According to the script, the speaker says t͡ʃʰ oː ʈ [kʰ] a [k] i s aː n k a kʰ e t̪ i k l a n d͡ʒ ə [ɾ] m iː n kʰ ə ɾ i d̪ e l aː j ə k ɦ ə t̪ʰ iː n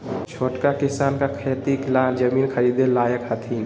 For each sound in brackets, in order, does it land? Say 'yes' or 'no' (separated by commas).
no, yes, no